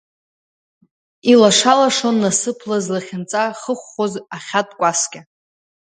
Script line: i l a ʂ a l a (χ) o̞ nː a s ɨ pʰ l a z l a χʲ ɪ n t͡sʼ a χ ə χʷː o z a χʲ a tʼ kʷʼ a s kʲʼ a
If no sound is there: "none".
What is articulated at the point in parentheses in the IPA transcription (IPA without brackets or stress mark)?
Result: ʂ